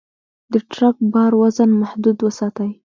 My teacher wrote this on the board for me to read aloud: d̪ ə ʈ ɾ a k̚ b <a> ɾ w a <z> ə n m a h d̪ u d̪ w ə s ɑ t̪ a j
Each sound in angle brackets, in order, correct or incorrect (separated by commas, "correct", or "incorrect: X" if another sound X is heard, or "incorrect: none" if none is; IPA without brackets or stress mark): incorrect: ɑ, correct